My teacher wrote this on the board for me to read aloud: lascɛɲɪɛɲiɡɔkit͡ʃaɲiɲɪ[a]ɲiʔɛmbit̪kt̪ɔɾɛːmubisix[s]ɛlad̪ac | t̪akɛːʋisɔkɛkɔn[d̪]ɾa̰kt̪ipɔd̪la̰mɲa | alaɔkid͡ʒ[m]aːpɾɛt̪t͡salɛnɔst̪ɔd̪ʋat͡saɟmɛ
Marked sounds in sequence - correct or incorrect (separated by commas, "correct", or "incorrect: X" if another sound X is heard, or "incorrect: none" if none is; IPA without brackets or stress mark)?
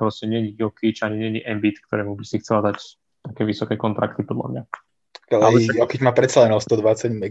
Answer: incorrect: ɛ, incorrect: t͡s, incorrect: t̪, correct